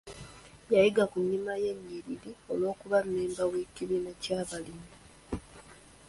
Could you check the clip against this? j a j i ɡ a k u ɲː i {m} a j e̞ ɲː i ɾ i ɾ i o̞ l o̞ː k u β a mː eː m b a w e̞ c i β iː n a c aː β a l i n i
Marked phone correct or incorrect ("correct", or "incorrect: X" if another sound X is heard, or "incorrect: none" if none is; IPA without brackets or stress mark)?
correct